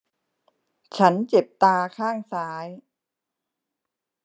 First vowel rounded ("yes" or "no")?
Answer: no